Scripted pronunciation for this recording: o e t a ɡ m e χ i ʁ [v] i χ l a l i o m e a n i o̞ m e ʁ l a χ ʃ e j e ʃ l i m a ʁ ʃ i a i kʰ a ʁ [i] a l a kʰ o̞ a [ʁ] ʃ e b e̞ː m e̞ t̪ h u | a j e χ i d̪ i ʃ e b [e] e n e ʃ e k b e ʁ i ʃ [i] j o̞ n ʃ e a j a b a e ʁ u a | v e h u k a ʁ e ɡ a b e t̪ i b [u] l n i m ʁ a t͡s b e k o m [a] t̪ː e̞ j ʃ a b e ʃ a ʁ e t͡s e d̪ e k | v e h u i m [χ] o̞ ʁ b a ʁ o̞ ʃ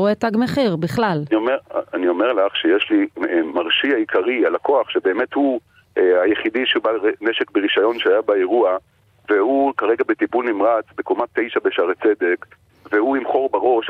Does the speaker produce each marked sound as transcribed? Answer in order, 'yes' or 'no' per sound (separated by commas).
no, yes, no, no, no, yes, yes, yes